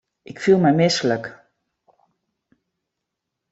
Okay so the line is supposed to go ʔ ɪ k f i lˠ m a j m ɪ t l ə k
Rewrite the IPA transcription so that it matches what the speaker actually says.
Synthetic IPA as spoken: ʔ ɪ k f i lˠ m ɛ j m ɪ s l ə k